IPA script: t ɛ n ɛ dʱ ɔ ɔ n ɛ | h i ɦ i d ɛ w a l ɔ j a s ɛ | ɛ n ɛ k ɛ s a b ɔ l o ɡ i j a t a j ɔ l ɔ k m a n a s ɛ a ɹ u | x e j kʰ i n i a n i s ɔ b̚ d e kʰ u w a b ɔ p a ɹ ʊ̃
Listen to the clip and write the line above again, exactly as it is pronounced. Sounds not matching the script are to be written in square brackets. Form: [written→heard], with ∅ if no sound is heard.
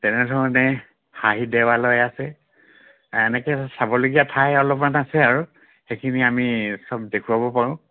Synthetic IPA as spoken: t ɛ n ɛ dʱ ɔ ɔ n ɛ | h [i→a] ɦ i d ɛ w a l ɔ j a s ɛ | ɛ n ɛ k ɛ s a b ɔ l o ɡ i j a [t→tʰ] a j ɔ l ɔ [k→p] m a n a s ɛ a ɹ u | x e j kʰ i n i a [n→m] i s ɔ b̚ d e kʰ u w a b ɔ p a ɹ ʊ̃